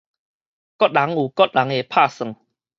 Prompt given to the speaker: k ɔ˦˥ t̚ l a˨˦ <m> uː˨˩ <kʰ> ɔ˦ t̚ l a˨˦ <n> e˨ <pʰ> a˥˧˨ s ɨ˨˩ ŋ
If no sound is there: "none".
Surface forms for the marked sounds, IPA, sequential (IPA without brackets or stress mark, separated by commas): ŋ, k, ŋ, pʰ